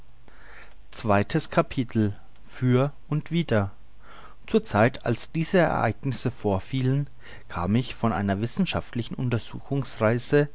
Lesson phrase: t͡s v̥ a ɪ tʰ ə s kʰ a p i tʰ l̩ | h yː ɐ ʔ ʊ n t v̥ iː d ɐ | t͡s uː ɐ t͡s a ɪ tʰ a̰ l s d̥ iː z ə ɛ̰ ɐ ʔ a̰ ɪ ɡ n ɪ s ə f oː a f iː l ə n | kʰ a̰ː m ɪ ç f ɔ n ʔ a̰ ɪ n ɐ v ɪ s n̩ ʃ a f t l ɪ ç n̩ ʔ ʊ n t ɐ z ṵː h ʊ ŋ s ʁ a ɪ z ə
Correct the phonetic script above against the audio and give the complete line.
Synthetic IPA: t͡s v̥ a ɪ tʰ ə s kʰ a pʰ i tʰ l̩ | f yː ɐ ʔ ʊ n t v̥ iː d ɐ | t͡s uː ɐ t͡s a ɪ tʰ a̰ l s d̥ iː z ə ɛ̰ ɐ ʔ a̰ ɪ ɡ n ɪ s ə f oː ɐ f iː l ə n | kʰ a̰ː m ɪ ç f ɔ n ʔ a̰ ɪ n ɐ v ɪ s n̩ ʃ a f t l ɪ ç n̩ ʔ ʊ n t ɐ z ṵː x ʊ ŋ s ʁ a ɪ z ə